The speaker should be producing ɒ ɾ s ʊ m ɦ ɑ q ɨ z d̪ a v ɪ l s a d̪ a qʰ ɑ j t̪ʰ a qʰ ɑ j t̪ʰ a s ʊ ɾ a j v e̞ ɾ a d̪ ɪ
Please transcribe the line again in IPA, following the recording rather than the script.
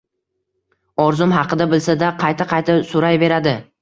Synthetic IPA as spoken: ɒ ɾ z ʊ m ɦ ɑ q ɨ d̪ a b ɪ l s a d̪ a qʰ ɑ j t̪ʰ a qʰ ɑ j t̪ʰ a s ʊ ɾ a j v e̞ ɾ a d̪ ɪ